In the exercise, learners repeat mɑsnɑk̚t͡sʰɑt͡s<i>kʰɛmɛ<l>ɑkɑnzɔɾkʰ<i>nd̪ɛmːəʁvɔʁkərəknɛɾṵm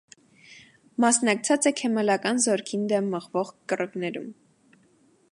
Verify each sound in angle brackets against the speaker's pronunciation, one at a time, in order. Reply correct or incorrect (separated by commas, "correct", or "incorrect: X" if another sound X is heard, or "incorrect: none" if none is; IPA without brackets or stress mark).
incorrect: ɛ, correct, correct